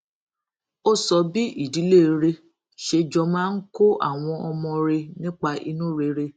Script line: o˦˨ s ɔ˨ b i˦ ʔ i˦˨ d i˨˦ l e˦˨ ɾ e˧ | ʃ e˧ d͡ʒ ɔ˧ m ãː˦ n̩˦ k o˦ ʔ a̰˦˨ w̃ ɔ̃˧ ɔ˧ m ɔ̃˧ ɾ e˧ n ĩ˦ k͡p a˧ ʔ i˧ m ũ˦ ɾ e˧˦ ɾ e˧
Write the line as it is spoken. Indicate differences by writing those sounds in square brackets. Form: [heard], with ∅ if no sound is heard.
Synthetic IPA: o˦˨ s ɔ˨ b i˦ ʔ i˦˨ d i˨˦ l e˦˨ ɾ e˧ | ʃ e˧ d͡ʒ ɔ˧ m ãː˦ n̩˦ k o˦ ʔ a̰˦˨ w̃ ɔ̃˧ ɔ˧ m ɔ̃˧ ɾ e˧ n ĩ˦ k͡p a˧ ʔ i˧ [n] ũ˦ ɾ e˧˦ ɾ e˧